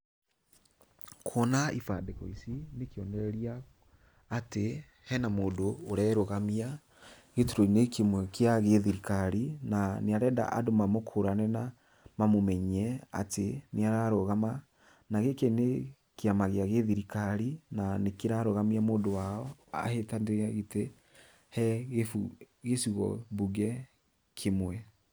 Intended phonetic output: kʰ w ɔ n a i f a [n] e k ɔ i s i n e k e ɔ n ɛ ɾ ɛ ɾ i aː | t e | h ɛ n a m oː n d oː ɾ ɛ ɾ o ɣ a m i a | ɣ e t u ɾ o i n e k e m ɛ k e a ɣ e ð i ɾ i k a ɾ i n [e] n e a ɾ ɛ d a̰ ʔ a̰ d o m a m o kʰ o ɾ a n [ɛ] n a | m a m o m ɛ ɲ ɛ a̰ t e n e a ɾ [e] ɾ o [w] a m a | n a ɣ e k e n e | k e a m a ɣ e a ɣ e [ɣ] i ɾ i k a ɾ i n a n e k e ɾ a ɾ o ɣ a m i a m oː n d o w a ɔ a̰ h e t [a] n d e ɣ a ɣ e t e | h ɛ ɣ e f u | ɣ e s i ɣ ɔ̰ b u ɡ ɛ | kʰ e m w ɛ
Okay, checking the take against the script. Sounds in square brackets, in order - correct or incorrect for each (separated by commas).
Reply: incorrect, incorrect, correct, incorrect, incorrect, incorrect, correct